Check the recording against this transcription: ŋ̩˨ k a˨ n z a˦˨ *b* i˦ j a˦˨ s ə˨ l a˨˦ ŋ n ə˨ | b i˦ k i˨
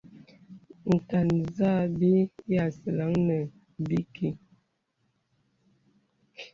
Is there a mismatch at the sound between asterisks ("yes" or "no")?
no